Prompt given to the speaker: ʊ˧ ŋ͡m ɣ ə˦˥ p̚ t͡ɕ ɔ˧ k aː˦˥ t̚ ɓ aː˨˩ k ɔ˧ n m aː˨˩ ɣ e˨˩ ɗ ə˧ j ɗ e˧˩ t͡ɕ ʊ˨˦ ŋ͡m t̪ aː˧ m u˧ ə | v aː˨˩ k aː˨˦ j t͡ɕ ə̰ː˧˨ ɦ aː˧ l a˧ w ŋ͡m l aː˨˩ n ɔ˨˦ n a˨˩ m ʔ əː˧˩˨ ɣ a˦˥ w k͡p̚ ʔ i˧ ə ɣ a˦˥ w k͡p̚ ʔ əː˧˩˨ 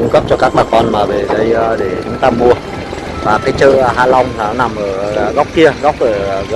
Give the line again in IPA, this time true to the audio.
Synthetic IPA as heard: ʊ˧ ŋ͡m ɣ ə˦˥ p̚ t͡ɕ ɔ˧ k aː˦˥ k̚ ɓ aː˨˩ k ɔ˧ n m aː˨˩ v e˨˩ ɗ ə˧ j ɗ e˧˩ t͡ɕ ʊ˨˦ ŋ͡m t̪ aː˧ m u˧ ə | v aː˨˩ k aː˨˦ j t͡ɕ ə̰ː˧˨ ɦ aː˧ l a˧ w ŋ͡m l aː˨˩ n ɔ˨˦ n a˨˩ m ʔ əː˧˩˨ ɣ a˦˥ w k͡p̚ k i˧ ə ɣ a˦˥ w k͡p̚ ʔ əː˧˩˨

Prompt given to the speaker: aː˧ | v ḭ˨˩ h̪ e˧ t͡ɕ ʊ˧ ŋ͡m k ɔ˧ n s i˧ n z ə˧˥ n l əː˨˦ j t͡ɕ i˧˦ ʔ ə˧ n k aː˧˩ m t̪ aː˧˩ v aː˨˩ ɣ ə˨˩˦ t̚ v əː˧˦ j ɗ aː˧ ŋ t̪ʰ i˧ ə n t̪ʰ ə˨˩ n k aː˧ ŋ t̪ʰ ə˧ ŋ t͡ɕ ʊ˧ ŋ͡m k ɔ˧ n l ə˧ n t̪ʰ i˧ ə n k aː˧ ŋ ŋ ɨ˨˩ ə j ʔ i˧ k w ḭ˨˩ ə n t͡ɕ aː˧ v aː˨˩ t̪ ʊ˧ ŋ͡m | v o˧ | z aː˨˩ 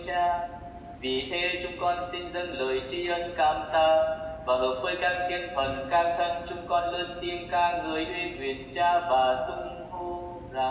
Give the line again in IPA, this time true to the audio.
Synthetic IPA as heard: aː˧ | v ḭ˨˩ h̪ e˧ t͡ɕ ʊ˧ ŋ͡m k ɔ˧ n s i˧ n z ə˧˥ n l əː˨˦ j t͡ɕ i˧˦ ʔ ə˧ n k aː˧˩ m t̪ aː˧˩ v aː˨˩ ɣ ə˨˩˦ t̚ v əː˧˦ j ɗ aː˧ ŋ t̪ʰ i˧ ə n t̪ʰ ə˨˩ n k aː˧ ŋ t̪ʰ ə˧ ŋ t͡ɕ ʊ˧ ŋ͡m k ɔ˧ n l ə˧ n t̪ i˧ ə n k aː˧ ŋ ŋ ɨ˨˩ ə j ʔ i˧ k w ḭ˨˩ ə n t͡ɕ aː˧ v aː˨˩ t̪ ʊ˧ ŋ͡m | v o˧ | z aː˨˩

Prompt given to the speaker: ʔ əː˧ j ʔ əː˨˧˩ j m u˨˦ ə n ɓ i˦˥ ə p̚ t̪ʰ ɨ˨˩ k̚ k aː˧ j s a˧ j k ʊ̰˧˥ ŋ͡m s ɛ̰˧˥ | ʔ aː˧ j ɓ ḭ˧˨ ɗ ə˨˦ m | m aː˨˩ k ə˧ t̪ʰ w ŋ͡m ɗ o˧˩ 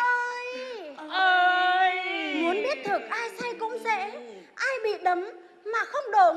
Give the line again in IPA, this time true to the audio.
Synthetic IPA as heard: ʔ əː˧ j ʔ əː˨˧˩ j m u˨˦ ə n ɓ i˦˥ ə t̚ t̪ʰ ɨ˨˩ k̚ ʔ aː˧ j s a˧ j k ʊ̰˧˥ ŋ͡m s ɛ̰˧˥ | ʔ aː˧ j ɓ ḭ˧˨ ɗ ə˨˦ m | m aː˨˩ x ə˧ w ŋ͡m ɗ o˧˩

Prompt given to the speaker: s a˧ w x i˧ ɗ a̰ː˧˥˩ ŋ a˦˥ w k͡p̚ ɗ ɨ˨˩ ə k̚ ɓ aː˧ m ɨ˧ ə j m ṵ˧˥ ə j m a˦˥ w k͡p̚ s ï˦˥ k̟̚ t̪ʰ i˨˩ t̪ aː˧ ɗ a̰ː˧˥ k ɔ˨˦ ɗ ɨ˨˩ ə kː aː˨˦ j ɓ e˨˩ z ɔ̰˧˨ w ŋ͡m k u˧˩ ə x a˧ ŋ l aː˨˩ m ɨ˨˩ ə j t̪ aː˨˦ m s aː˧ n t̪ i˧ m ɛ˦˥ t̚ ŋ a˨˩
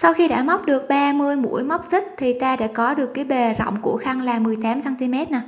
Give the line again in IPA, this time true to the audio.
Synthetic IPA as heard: s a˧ w x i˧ ɗ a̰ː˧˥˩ m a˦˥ w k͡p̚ ɗ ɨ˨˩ ə k̚ ɓ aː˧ m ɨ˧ ə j m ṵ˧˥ ə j m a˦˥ w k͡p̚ s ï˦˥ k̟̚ t̪ʰ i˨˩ t̪ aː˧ ɗ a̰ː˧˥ k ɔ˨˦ ɗ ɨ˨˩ ə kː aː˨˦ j ɓ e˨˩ z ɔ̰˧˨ w ŋ͡m k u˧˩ ə x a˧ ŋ l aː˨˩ m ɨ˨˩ ə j t̪ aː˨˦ m s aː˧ n t̪ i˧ m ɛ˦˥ t̚ n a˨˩

